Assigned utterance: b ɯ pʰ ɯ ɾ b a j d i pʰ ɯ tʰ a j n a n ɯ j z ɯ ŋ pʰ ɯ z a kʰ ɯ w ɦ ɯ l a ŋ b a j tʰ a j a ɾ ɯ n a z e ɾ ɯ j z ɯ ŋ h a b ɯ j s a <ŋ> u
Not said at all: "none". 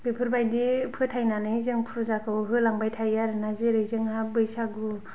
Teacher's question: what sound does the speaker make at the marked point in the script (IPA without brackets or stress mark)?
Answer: ɡ